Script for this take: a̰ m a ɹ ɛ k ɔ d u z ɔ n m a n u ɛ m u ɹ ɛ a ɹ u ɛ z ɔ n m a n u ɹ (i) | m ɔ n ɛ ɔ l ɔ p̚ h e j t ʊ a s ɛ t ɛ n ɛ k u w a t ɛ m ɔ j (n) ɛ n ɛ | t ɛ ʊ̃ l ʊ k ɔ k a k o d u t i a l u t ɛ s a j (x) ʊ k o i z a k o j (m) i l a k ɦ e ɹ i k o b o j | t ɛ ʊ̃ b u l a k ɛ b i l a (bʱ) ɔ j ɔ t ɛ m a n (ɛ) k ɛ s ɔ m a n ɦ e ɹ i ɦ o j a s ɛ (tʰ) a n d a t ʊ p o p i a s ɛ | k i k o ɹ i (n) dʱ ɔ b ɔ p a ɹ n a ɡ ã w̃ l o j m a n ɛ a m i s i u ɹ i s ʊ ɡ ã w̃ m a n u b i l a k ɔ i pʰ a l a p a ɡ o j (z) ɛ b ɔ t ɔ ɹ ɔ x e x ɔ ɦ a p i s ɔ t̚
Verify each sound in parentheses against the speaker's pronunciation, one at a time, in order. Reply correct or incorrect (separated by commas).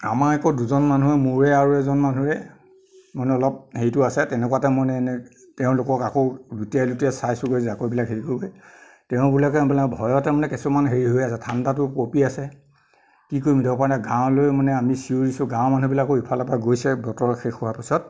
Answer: incorrect, correct, incorrect, incorrect, correct, correct, correct, incorrect, incorrect